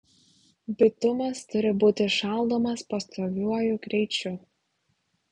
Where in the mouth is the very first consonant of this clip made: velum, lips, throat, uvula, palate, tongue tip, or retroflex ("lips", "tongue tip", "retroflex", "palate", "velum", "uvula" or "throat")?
lips